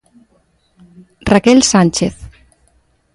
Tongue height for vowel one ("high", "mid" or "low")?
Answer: low